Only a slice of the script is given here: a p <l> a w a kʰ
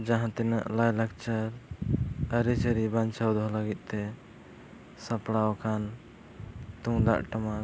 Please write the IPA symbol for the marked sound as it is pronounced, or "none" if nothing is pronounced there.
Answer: ɽ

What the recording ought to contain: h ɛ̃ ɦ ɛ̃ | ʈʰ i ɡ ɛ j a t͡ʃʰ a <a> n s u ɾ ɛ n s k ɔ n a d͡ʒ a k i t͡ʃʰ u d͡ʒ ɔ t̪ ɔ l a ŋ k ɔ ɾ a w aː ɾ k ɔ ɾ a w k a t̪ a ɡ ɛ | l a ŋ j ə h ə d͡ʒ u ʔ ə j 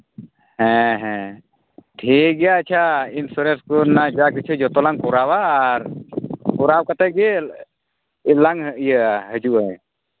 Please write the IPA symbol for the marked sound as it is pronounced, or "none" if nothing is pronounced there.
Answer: i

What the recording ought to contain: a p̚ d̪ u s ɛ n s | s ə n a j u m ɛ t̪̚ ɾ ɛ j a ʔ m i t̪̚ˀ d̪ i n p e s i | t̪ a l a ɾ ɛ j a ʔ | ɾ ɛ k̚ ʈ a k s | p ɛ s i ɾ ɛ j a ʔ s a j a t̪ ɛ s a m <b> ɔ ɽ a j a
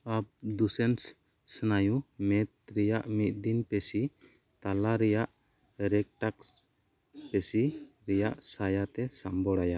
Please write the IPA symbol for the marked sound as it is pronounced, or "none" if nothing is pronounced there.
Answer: b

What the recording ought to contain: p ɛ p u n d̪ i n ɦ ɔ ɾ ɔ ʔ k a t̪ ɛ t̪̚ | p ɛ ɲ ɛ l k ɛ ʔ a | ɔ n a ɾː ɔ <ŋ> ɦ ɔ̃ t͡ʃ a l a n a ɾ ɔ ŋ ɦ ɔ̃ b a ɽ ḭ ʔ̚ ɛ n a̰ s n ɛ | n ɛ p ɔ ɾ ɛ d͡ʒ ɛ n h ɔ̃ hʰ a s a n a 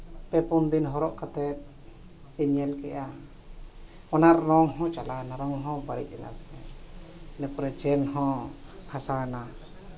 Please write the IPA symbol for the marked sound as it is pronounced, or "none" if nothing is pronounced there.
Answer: ŋ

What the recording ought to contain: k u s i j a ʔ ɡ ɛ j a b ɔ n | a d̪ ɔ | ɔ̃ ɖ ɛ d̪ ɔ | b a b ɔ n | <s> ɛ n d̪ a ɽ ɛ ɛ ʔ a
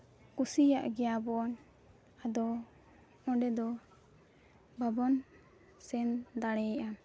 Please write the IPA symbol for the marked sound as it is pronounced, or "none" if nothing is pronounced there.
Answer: s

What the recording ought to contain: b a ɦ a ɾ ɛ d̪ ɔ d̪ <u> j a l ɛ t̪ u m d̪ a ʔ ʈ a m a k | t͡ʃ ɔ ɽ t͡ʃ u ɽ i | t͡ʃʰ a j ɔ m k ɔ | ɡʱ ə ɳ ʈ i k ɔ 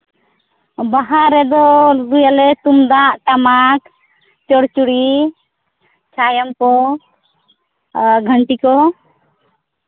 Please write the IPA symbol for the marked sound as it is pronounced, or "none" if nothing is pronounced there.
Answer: u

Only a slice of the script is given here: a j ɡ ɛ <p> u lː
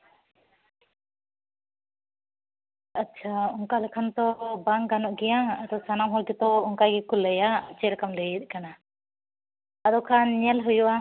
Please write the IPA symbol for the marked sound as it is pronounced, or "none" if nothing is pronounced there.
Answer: k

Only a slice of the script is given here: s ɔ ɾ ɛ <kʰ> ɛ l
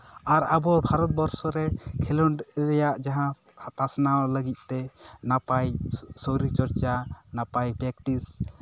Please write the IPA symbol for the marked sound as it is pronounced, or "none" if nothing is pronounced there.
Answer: kʰ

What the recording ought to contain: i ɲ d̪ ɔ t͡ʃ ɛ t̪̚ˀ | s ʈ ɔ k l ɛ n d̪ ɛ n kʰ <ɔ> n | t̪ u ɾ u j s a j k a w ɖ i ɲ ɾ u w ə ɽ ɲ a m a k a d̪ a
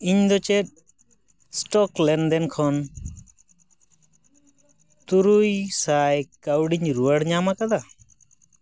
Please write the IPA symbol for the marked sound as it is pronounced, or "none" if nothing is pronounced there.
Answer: ɔ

